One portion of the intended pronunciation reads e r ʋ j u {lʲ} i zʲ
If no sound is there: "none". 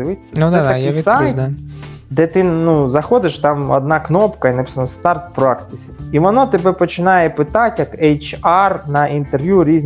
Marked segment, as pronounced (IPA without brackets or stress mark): ɾʲ